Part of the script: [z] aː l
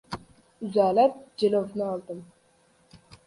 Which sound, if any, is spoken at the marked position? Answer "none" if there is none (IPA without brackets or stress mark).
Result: z